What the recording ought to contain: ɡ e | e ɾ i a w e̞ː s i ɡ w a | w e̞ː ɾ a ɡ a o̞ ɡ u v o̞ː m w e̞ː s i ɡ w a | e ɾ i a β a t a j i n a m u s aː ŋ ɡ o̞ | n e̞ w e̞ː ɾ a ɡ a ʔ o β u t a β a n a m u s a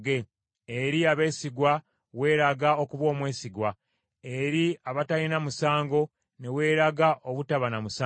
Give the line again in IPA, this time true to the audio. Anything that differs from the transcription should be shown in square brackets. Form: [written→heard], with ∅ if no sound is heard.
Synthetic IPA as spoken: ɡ e | e ɾ i a [w→β] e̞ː s i ɡ w a | w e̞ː ɾ a ɡ a o̞ [ɡ→k] u [v→β] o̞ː m w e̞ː s i ɡ w a | e ɾ i a β a t a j i n a m u s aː ŋ ɡ o̞ | n e̞ w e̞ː ɾ a ɡ a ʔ o β u t a β a n a m u s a